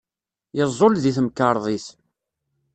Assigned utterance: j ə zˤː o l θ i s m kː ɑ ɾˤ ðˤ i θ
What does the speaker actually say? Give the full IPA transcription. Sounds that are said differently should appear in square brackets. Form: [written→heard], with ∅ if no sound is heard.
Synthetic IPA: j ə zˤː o l [θ→ð] i [s→θ] m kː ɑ ɾˤ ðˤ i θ

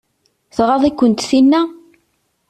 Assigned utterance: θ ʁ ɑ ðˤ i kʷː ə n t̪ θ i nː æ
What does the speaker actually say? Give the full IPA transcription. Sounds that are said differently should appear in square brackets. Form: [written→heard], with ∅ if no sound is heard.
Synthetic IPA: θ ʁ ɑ ðˤ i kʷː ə n t̪ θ i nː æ

